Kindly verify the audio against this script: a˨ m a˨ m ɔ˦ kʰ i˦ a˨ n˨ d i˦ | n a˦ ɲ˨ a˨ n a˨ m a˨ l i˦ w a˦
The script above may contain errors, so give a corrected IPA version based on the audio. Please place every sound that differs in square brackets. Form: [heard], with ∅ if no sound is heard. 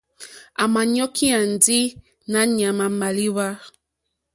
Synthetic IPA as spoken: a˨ m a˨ [ɲ] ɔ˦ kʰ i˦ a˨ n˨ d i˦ | n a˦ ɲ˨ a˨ [m] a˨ m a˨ l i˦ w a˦